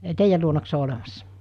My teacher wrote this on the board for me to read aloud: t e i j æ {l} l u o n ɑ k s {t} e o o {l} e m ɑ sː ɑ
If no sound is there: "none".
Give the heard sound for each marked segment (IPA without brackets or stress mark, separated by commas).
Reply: l, s, l